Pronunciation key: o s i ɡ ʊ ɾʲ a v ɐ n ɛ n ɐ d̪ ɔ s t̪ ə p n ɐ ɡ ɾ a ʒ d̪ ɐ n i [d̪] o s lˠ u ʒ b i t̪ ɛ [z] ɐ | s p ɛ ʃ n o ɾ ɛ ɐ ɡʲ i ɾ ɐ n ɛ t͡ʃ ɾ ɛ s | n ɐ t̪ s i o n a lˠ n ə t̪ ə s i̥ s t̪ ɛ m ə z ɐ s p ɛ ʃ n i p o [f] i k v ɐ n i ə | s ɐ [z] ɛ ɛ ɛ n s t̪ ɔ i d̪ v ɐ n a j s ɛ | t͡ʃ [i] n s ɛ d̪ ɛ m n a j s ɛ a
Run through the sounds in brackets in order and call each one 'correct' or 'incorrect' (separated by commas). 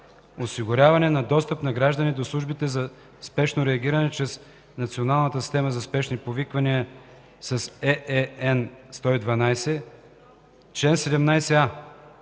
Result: correct, correct, incorrect, incorrect, incorrect